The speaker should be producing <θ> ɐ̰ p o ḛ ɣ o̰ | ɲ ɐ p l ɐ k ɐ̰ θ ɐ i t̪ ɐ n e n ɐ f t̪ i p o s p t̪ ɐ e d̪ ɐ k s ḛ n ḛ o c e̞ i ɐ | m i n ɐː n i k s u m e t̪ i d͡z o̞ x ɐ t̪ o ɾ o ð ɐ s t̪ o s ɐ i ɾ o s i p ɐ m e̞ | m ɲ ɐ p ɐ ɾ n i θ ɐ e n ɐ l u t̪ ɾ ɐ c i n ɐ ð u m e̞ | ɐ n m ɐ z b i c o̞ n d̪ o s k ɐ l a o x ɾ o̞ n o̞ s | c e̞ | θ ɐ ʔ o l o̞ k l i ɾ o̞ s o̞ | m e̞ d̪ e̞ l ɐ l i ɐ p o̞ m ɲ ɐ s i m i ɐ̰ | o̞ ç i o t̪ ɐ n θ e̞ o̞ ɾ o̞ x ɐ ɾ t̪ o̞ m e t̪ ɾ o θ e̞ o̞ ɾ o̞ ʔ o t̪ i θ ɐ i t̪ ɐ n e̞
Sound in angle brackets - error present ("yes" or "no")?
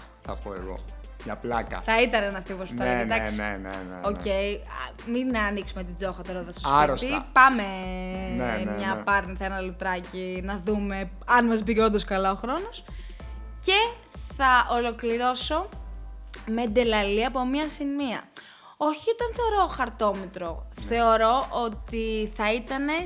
no